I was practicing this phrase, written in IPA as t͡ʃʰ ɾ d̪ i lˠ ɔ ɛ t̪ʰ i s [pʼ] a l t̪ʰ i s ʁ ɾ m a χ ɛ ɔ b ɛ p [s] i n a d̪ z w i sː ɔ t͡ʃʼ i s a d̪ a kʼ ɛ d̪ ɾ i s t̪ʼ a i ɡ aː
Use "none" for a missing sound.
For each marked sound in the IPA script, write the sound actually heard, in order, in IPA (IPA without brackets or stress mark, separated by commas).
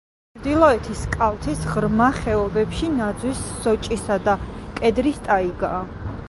kʼ, ʃ